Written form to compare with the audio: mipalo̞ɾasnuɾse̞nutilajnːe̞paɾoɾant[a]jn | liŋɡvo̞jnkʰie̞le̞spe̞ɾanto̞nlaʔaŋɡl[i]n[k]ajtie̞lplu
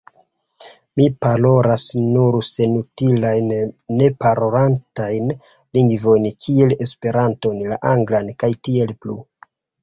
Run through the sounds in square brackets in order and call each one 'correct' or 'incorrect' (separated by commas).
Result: correct, incorrect, correct